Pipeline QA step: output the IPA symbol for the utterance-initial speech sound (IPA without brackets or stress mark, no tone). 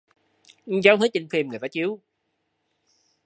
z